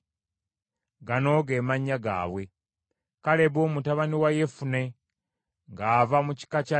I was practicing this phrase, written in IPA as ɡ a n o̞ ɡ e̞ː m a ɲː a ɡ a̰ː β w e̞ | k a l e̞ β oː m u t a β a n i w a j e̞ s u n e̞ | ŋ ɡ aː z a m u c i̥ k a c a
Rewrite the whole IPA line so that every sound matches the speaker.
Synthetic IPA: ɡ a n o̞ ɡ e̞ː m a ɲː a ɡ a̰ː β w e̞ | k a l e̞ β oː m u t a β a n i w a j e̞ f u n e̞ | ŋ ɡ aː v a m u c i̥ k a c a